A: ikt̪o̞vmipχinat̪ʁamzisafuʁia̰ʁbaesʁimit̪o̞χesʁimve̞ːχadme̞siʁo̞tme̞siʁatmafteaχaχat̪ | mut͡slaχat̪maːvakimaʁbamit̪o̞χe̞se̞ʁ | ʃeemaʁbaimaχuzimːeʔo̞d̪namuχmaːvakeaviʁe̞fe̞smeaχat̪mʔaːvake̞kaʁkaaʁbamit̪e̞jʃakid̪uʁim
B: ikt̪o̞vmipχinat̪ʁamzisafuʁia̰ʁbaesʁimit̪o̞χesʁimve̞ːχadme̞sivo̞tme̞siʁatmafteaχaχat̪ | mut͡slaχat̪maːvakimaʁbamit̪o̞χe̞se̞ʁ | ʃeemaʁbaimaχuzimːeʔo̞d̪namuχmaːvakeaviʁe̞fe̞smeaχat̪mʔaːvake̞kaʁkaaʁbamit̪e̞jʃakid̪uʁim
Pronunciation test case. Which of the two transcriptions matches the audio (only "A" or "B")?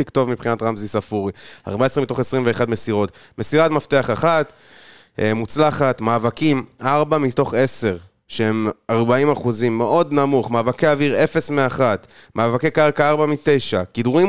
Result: A